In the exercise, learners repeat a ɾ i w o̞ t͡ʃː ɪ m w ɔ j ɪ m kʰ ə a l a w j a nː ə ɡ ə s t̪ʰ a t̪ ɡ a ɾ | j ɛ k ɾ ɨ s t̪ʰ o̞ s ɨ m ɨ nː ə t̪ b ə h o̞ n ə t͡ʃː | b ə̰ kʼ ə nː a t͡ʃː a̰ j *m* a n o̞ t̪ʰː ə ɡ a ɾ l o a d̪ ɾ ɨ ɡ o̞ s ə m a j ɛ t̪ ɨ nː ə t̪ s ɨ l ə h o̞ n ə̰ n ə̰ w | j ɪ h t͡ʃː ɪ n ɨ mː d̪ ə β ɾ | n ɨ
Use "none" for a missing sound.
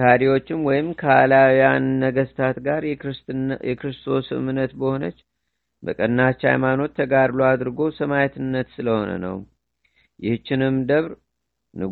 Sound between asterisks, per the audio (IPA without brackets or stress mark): m